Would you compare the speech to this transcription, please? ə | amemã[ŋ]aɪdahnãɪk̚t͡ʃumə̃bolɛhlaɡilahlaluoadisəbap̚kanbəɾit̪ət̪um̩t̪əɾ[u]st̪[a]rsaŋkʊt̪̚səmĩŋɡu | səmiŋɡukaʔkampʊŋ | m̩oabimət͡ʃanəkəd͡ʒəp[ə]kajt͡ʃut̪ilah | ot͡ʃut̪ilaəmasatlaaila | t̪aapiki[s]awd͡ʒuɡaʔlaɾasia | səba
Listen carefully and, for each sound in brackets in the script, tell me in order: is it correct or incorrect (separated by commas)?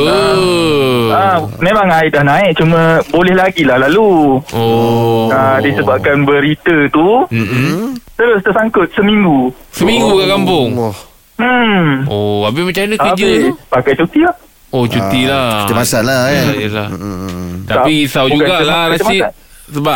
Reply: correct, incorrect, incorrect, incorrect, correct